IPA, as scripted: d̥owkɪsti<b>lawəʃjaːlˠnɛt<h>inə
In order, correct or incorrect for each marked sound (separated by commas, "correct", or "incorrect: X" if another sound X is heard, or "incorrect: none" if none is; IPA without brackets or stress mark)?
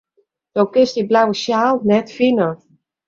correct, incorrect: f